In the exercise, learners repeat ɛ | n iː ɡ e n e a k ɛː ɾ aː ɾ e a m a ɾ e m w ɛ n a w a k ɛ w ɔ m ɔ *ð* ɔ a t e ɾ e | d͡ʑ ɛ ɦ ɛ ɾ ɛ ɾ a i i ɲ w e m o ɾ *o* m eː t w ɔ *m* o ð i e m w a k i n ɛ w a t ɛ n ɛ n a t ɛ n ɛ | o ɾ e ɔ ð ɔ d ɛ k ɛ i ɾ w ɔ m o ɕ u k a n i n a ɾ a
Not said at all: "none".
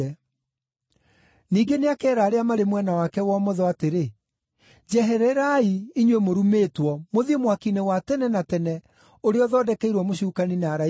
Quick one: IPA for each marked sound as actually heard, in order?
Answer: ð, u, m

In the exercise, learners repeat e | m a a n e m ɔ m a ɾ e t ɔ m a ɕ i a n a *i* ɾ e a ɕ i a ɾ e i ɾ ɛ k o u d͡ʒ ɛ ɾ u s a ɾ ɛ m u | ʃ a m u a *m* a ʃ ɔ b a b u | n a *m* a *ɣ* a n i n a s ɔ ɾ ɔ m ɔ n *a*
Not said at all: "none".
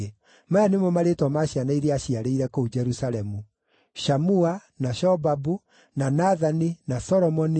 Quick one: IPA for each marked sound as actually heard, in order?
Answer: i, n, n, ð, i

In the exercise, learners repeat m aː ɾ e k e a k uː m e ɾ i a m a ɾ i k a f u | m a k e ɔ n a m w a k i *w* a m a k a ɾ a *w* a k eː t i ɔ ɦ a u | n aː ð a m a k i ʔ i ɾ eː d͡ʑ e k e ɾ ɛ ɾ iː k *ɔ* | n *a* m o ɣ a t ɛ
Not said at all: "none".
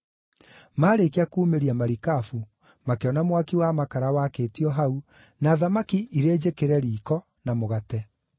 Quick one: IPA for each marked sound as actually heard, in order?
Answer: w, w, ɔ, a

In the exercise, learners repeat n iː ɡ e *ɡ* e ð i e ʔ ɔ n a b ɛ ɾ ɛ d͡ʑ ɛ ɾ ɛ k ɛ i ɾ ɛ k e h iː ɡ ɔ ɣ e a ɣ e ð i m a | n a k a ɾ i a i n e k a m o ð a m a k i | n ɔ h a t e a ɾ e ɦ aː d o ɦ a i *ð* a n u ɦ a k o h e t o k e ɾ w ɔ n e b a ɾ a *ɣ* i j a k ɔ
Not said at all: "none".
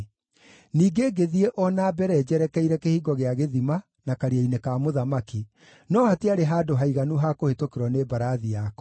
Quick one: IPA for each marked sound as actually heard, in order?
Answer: ɡ, ɣ, ð

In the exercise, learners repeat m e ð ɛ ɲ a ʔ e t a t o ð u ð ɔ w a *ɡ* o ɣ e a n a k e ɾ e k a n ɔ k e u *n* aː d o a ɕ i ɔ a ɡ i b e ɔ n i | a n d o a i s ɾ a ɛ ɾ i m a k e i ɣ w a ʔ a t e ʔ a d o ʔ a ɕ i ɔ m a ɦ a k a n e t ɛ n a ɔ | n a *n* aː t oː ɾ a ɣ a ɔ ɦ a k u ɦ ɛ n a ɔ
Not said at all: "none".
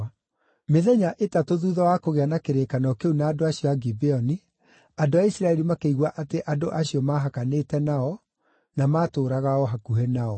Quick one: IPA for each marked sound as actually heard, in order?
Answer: k, n, m

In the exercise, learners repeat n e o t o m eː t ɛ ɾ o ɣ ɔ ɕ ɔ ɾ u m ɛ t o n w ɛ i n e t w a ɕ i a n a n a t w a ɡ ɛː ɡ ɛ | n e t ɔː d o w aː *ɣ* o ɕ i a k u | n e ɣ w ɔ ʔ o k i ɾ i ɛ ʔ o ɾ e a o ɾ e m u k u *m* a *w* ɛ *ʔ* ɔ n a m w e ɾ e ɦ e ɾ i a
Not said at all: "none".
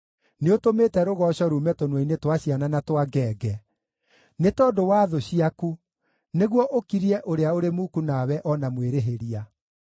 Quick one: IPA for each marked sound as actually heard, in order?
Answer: ð, n, w, ʔ

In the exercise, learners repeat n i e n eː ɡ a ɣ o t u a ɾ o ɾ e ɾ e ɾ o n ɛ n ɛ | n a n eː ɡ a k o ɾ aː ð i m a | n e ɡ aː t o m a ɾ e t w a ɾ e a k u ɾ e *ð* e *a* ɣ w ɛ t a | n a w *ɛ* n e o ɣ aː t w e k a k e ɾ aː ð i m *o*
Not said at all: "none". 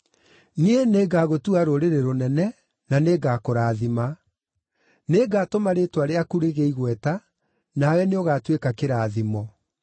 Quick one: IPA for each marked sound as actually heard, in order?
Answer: ɣ, i, ɛ, ɔ

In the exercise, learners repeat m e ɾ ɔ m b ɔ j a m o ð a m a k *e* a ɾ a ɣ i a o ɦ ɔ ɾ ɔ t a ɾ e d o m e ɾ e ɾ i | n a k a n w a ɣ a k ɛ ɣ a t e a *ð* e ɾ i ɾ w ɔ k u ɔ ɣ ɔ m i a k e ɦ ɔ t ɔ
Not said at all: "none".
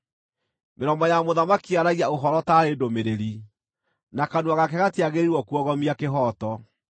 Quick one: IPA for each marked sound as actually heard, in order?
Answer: i, ɣ

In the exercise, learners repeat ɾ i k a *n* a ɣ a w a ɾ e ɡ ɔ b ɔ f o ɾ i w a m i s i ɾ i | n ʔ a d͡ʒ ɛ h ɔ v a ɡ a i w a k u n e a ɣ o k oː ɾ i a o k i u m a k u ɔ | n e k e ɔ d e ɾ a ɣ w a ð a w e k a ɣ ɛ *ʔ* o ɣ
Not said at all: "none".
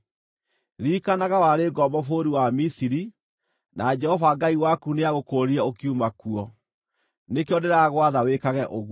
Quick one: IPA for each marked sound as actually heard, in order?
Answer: n, ʔ

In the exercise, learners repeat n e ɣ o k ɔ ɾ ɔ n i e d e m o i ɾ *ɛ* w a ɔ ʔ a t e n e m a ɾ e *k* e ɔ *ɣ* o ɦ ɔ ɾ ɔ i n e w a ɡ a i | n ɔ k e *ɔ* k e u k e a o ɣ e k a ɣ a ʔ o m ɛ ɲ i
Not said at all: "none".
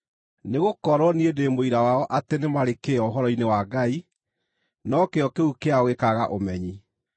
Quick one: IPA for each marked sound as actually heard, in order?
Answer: a, k, none, ɔ

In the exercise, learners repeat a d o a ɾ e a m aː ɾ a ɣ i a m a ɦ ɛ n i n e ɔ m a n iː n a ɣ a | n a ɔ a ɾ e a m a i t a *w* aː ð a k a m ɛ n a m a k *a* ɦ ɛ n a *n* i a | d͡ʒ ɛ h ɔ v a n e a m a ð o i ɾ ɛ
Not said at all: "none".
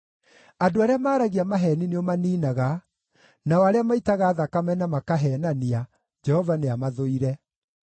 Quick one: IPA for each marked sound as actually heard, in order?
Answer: ɣ, a, n

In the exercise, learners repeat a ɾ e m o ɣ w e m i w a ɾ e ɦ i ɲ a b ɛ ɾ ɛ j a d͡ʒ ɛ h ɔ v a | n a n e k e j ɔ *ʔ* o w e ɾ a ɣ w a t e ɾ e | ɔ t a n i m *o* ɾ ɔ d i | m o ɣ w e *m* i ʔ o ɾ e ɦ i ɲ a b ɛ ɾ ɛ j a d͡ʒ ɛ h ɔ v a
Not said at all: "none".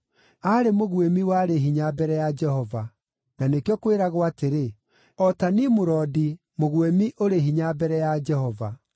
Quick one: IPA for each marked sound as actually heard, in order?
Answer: k, o, m

